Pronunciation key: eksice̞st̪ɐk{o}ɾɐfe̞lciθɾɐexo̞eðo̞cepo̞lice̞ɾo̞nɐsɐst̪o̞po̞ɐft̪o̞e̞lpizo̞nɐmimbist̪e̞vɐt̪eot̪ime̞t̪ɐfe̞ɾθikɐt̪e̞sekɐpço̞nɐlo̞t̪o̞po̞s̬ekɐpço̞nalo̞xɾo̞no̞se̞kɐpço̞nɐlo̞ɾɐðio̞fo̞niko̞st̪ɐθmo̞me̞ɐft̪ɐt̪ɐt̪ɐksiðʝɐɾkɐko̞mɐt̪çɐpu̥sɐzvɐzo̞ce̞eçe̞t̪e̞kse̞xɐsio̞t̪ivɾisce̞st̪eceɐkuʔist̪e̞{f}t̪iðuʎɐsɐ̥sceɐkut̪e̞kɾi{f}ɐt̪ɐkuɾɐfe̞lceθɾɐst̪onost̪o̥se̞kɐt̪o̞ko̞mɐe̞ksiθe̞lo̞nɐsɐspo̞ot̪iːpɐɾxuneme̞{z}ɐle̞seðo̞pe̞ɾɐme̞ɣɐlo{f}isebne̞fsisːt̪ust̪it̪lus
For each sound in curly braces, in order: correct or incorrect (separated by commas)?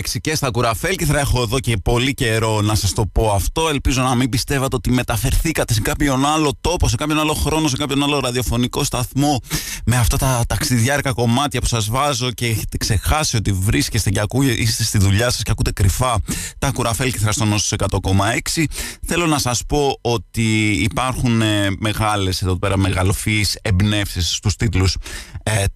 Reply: incorrect, incorrect, correct, incorrect, correct